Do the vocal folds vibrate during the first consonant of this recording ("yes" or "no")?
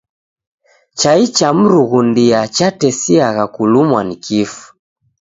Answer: no